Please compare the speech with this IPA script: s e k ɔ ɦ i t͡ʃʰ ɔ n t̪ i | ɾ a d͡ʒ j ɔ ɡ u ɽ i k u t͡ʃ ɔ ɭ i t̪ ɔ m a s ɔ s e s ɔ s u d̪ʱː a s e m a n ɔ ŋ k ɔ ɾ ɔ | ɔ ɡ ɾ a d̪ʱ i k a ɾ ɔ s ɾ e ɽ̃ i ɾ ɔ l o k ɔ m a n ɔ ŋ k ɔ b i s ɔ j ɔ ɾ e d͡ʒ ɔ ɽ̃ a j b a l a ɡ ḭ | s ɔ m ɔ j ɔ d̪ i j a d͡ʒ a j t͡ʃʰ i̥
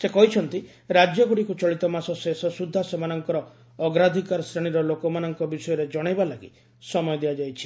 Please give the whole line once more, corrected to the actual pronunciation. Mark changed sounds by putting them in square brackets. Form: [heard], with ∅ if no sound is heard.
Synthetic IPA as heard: s e k ɔ ɦ i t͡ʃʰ ɔ n t̪ i | ɾ a d͡ʒ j ɔ ɡ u ɽ i k u t͡ʃ ɔ ɭ i t̪ ɔ m a s ɔ s e s ɔ s u d̪ʱː a s e m a n ɔ ŋ k ɔ ɾ ɔ | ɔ ɡ ɾ a d̪ʱ i k a ɾ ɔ s ɾ e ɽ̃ i ɾ ɔ l o k ɔ m a n ɔ ŋ k ɔ b i s ɔ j ɔ ɾ e d͡ʒ ɔ ɽ̃ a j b a l a ɡ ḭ | s ɔ m ɔ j ɔ d̪ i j a d͡ʒ a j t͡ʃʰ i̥

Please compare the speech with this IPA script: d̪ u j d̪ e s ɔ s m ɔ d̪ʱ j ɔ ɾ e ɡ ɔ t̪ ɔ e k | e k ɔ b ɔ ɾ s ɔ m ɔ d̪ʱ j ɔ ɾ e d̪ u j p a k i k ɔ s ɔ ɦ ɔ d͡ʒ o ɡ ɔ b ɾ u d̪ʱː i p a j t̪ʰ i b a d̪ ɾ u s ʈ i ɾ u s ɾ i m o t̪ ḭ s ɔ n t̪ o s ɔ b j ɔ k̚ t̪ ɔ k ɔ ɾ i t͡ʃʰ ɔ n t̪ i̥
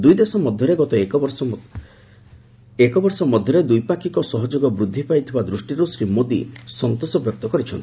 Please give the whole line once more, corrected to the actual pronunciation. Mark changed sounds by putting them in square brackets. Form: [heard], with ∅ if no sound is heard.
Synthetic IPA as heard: d̪ u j d̪ e s ɔ [∅] m ɔ d̪ʱ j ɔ ɾ e ɡ ɔ t̪ ɔ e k | e k ɔ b ɔ ɾ s ɔ m ɔ d̪ʱ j ɔ ɾ e d̪ u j p a k i k ɔ s ɔ ɦ ɔ d͡ʒ o ɡ ɔ b ɾ u d̪ʱː i p a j t̪ʰ i b a d̪ ɾ u s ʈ i ɾ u s ɾ i m o [d̪] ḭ s ɔ n t̪ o s ɔ b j ɔ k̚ t̪ ɔ k ɔ ɾ i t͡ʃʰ ɔ n t̪ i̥

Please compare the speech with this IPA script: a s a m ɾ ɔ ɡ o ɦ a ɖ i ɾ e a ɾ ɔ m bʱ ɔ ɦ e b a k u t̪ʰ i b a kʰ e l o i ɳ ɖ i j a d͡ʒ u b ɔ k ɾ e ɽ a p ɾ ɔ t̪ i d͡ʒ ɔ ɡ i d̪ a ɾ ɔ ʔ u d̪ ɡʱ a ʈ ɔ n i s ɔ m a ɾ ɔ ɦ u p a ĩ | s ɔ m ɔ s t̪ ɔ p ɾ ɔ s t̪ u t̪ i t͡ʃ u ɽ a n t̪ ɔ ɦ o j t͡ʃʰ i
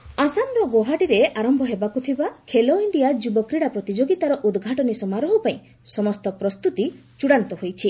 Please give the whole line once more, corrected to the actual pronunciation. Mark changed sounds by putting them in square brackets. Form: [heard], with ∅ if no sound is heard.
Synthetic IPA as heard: a s a m ɾ ɔ ɡ o ɦ a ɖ i ɾ e a ɾ ɔ m bʱ ɔ ɦ e b a k u t̪ʰ i b a kʰ e l o i ɳ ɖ i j a d͡ʒ u b ɔ k ɾ [i] ɽ a p ɾ ɔ t̪ i d͡ʒ [o] ɡ i [t̪] a ɾ ɔ ʔ u d̪ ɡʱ a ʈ ɔ n i s ɔ m a ɾ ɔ ɦ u p a ĩ | s ɔ m ɔ s t̪ ɔ p ɾ ɔ s t̪ u t̪ i t͡ʃ u ɽ a n t̪ ɔ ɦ o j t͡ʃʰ i

